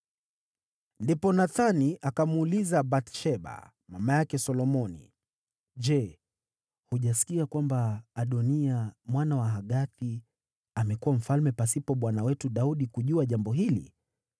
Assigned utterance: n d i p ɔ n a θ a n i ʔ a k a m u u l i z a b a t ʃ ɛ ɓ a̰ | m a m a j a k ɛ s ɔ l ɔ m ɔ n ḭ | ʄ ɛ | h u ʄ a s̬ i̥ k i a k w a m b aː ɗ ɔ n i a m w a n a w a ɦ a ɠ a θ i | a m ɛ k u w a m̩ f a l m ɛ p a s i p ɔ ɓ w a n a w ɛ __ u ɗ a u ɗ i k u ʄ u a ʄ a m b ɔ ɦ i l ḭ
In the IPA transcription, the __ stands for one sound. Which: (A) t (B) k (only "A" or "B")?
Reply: A